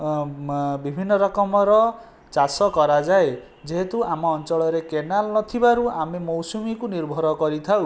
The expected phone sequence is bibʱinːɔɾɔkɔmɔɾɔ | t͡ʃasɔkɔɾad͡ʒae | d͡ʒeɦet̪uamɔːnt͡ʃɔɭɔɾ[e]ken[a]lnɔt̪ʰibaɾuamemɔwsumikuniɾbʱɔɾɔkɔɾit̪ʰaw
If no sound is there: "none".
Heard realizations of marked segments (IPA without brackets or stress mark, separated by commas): e, a